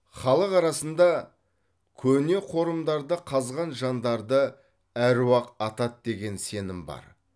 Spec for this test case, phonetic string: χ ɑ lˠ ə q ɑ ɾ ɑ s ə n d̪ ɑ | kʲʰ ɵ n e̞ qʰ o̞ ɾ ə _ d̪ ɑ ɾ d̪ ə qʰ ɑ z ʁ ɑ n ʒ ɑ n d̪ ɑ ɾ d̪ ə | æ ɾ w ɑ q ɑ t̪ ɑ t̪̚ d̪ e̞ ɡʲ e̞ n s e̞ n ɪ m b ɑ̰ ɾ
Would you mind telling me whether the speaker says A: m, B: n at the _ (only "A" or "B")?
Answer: A